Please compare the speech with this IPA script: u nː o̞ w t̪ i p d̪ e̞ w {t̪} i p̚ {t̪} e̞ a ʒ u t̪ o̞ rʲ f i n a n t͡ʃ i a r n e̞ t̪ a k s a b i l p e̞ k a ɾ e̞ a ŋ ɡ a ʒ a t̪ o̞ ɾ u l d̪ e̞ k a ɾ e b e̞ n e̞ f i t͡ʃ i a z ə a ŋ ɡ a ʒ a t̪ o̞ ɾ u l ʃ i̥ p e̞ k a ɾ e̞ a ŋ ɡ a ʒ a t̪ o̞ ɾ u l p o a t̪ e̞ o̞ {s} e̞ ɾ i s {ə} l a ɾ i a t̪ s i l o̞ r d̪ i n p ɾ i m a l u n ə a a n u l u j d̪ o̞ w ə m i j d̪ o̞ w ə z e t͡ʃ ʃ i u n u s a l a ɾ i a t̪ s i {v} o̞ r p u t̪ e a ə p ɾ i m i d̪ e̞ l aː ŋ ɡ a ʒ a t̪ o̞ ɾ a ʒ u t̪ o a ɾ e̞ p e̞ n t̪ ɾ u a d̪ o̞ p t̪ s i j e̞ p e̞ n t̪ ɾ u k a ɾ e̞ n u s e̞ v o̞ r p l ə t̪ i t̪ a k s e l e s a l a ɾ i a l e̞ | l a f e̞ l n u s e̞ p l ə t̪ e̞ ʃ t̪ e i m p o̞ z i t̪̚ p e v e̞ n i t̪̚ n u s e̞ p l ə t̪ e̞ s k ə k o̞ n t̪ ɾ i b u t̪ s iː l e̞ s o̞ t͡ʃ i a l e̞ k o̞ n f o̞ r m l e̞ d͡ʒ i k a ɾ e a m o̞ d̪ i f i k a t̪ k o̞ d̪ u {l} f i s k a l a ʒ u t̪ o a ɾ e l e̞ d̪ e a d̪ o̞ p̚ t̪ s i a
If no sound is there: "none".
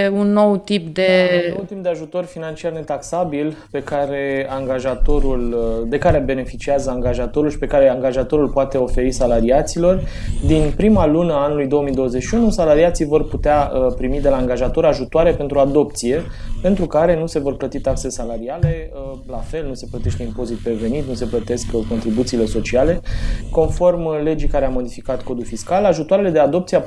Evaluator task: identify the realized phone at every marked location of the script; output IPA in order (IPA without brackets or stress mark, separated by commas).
t̪, d̪, f, a, v, l